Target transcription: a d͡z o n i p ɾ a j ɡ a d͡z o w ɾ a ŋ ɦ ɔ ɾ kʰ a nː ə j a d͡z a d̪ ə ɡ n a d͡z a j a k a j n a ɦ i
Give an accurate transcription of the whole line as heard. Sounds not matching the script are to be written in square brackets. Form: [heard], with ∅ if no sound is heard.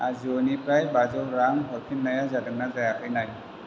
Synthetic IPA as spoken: a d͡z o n i p ɾ a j [b] a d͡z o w ɾ a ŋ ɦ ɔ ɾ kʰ [i] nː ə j a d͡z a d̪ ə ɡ n a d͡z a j a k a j n a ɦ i